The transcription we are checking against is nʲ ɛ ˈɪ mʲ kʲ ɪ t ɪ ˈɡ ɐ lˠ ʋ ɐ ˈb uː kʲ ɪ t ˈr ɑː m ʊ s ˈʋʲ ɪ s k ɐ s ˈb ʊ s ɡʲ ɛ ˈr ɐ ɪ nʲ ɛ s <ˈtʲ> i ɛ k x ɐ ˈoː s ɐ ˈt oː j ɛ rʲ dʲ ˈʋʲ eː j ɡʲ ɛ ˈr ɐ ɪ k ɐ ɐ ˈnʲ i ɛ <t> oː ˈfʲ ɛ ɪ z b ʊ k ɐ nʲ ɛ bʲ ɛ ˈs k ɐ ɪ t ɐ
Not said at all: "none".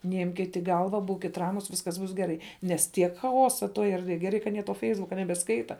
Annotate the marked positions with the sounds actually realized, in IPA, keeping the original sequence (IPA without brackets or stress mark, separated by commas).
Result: tʲ, t